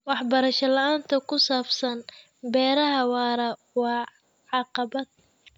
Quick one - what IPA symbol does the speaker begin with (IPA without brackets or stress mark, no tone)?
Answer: w